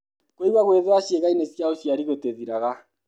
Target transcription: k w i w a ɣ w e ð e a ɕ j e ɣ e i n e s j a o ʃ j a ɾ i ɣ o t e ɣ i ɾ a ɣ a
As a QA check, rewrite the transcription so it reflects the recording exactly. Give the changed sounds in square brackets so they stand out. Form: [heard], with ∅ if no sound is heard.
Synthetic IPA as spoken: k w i w a ɣ w e ð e a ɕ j e ɣ [a] i n e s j a o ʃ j a ɾ i ɣ o t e [ð] i ɾ a ɣ a